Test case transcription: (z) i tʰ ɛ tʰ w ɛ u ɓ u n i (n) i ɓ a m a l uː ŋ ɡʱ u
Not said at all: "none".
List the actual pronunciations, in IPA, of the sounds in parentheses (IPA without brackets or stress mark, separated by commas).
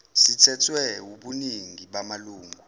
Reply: s, ŋ